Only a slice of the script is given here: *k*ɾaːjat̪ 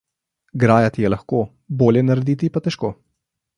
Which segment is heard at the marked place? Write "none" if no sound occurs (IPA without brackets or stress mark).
ɡ